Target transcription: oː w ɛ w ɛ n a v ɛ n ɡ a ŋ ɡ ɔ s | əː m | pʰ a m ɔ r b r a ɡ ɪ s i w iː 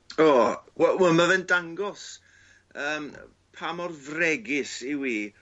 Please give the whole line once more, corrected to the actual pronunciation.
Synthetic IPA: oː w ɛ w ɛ m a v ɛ n d a ŋ ɡ ɔ s | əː m | pʰ a m ɔ r v r ɛ ɡ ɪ s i w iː